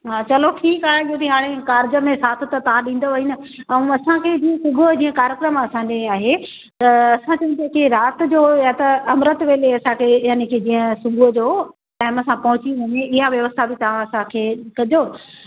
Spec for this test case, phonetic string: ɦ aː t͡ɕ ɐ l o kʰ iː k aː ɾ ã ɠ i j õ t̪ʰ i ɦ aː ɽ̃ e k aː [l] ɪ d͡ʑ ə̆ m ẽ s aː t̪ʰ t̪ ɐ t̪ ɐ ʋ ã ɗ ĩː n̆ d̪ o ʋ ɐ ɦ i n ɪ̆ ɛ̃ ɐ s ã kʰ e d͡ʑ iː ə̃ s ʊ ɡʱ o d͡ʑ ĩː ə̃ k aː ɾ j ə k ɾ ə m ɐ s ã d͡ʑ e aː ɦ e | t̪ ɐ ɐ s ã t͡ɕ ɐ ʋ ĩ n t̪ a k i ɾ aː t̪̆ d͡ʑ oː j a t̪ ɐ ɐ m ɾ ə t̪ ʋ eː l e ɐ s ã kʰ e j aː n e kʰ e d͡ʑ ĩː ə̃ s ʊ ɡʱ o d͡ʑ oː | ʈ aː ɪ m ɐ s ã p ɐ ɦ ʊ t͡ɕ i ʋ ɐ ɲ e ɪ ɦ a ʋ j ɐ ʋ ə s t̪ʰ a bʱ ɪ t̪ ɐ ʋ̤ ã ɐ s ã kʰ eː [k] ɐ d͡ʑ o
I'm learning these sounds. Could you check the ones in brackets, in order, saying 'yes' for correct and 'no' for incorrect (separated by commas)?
no, yes